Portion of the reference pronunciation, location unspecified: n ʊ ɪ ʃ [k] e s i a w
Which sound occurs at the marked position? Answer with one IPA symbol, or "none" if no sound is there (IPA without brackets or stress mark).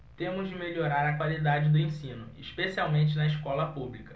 p